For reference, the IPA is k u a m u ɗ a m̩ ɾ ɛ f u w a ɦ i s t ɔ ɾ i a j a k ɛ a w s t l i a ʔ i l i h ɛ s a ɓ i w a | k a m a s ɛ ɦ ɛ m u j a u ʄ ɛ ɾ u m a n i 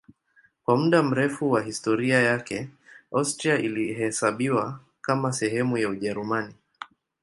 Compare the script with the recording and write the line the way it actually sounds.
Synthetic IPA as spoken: k w a m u ɗ a m̩ ɾ ɛ f u w a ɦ i s t ɔ ɾ i a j a k ɛ a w s t ɾ i a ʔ i l i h ɛ s a ɓ i w a | k a m a s ɛ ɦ ɛ m u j a u ʄ ɛ ɾ u m a n i